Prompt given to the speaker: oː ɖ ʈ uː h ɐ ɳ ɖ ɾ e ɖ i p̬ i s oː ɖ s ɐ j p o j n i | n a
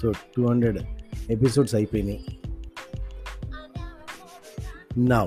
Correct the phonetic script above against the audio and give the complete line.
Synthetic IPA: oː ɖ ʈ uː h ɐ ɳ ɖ ɾ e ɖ e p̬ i s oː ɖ s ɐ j p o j n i | n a